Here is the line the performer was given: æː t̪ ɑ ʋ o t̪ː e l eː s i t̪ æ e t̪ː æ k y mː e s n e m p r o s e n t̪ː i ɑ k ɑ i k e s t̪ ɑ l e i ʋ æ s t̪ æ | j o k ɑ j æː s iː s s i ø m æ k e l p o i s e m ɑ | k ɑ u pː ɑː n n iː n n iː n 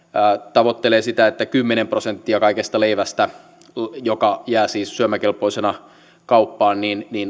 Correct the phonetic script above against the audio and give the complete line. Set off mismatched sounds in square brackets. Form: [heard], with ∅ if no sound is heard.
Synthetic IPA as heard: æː t̪ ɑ ʋ o t̪ː e l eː s i t̪ æ e t̪ː æ k y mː e [∅] n e m p r o s e n t̪ː i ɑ k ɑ i k e s t̪ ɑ l e i ʋ æ s t̪ æ | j o k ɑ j æː s iː s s [y] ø m æ k e l p o i s e [n] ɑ | k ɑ u pː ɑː n n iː n n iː n